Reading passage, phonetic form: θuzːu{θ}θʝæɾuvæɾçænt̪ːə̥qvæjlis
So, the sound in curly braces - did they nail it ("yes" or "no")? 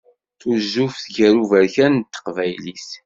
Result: no